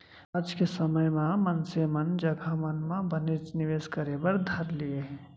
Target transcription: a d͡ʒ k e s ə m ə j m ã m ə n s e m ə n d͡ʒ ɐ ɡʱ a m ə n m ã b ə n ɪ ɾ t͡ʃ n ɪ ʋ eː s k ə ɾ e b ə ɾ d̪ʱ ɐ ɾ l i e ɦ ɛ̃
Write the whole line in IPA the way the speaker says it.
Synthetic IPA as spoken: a d͡ʒ k e s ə m ə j m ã m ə n s e m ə n d͡ʒ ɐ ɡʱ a m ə n m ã b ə n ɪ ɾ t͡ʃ n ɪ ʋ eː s k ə ɾ e b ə ɾ d̪ʱ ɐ ɾ l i e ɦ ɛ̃